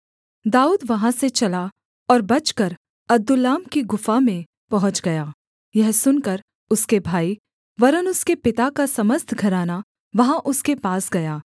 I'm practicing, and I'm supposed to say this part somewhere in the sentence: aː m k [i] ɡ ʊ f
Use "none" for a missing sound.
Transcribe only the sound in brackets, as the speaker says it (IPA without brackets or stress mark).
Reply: i